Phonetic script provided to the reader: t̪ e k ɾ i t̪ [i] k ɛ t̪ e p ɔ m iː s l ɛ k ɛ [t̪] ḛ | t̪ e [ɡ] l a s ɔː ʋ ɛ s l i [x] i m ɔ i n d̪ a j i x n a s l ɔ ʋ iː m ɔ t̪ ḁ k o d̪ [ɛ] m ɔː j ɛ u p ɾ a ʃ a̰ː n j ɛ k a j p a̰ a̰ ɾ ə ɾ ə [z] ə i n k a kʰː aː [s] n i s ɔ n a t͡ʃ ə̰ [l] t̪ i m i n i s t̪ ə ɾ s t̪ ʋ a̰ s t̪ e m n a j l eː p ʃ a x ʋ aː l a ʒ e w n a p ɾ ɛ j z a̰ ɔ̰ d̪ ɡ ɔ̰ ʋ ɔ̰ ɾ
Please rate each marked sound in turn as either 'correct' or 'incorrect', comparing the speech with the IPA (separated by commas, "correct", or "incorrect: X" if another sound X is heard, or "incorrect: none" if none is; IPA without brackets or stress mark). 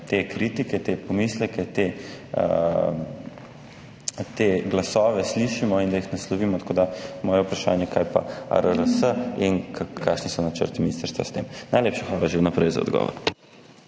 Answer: correct, correct, correct, incorrect: ʃ, incorrect: a, incorrect: s, incorrect: ʃ, incorrect: ɾ